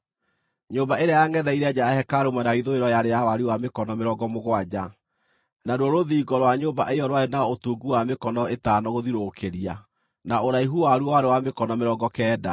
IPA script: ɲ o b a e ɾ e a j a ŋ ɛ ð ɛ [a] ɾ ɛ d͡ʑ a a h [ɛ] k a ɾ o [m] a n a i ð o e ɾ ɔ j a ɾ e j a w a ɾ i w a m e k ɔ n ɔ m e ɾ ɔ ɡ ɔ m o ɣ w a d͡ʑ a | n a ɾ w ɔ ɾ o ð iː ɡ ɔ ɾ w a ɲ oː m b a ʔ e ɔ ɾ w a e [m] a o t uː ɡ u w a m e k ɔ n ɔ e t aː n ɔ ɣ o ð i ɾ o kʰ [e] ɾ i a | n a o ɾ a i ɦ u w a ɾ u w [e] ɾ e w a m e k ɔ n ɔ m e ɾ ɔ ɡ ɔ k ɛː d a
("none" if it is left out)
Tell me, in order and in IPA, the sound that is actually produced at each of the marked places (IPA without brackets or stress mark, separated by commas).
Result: i, ɛ, m, n, e, a